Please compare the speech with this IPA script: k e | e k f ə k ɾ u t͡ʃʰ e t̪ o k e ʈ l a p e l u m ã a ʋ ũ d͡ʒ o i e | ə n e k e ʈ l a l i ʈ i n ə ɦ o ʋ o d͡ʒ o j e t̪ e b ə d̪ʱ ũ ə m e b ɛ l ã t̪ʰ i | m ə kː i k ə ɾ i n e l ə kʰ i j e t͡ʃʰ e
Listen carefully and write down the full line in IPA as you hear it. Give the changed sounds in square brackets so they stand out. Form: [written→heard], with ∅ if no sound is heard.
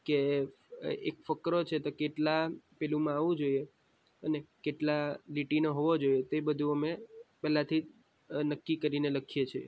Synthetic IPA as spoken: k e | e k f ə k ɾ [u→o] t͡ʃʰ e t̪ o k e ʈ l a p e l u m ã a ʋ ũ d͡ʒ o i e | ə n e k e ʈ l a l i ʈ i n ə ɦ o ʋ o d͡ʒ o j e t̪ e b ə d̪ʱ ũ ə m e [b→p] ɛ l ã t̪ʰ i | [m→n] ə kː i k ə ɾ i n e l ə kʰ i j e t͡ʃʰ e